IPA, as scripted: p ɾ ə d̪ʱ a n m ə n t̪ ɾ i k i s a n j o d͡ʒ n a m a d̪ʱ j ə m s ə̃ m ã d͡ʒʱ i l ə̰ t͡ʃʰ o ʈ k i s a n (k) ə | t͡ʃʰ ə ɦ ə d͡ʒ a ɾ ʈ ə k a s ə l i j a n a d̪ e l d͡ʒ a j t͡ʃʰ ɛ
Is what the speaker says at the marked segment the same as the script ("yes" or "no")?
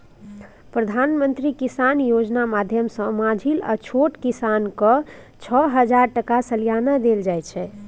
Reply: yes